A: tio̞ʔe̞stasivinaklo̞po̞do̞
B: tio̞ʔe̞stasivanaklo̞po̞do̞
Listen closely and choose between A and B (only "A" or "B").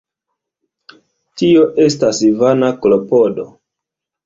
B